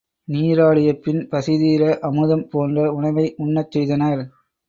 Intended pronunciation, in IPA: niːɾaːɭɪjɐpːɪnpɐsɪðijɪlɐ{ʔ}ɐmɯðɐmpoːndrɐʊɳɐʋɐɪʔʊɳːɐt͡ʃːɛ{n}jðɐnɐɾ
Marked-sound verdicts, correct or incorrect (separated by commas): correct, incorrect